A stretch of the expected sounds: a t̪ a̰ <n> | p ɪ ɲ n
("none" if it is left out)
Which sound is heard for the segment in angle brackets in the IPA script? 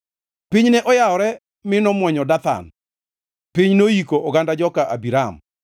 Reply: n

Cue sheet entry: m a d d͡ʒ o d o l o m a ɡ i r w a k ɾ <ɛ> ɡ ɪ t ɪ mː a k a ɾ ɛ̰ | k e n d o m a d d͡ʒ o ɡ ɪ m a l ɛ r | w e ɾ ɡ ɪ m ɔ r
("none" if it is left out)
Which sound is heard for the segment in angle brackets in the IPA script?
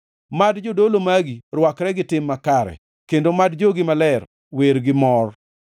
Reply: ɛ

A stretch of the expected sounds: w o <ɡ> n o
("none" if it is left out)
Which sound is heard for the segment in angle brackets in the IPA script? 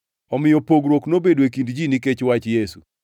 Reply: k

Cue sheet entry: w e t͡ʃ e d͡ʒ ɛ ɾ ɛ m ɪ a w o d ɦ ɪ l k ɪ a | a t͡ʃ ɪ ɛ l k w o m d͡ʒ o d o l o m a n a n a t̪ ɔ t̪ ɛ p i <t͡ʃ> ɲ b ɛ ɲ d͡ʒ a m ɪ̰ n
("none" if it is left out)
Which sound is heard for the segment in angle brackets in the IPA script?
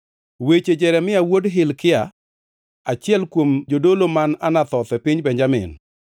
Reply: none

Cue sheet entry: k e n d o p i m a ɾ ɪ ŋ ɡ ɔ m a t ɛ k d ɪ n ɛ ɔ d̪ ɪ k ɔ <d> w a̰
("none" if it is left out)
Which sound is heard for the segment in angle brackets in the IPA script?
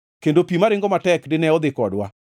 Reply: d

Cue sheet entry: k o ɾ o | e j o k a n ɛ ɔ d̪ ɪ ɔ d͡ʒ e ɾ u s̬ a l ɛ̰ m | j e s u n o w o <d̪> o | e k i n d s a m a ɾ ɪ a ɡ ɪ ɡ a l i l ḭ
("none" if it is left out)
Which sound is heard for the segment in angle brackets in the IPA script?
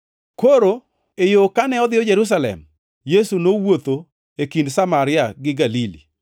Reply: t̪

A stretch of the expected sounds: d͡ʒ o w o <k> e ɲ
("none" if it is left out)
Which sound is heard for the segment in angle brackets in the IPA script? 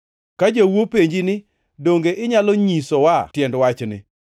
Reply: p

